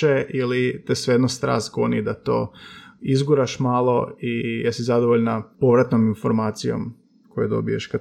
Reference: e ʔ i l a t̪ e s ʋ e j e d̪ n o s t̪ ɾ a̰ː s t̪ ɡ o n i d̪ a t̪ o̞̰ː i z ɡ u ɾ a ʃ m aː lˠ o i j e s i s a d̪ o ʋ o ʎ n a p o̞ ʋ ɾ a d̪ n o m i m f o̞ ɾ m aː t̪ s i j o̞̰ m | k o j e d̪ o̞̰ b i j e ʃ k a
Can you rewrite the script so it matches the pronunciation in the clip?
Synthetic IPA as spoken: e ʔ i l i t̪ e s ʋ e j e d̪ n o s t̪ ɾ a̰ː s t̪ ɡ o n i d̪ a t̪ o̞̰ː i z ɡ u ɾ a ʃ m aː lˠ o i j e s i z a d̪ o ʋ o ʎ n a p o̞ ʋ ɾ a t̪ n o m i n f o̞ ɾ m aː t̪ s i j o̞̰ m | k o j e d̪ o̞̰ b i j e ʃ k a